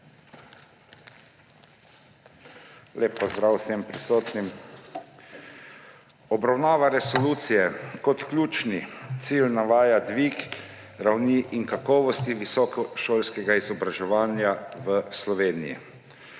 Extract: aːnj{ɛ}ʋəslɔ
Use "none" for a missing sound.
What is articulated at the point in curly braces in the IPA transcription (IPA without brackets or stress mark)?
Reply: a